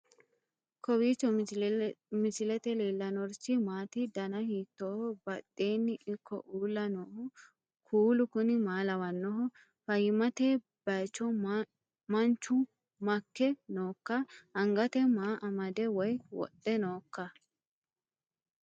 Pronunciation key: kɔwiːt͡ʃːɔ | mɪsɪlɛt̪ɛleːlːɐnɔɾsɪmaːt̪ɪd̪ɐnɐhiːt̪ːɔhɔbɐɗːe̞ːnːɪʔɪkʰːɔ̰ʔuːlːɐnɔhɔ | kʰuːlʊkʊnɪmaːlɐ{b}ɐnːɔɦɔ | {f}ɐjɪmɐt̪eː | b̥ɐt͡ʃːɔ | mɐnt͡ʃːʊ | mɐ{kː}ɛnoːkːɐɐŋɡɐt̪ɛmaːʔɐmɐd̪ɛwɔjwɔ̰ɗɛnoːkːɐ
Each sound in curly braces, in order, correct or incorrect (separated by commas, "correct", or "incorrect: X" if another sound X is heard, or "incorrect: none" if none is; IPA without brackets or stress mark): incorrect: w, correct, correct